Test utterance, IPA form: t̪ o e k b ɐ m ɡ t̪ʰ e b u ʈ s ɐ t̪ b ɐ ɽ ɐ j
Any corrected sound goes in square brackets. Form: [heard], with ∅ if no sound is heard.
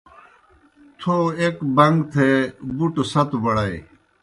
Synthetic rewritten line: [t̪ʰ] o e k b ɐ [ŋ] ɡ t̪ʰ e b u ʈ s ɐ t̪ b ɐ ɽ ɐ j